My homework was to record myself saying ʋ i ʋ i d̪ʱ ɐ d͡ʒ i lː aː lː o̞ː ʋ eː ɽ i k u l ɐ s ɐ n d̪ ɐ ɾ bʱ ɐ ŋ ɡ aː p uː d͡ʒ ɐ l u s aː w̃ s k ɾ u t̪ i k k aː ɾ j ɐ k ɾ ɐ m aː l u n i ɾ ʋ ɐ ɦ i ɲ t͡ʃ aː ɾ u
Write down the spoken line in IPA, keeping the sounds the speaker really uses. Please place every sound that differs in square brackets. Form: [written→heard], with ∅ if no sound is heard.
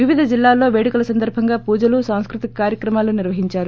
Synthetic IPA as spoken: ʋ i ʋ i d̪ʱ ɐ d͡ʒ i lː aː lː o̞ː ʋ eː ɽ i k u l ɐ s ɐ n d̪ ɐ ɾ bʱ ɐ ŋ ɡ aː p uː d͡ʒ ɐ l u s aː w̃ s k ɾ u t̪ i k k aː ɾ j ɐ k ɾ ɐ m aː l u n i ɾ ʋ ɐ ɦ i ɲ t͡ʃ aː ɾ u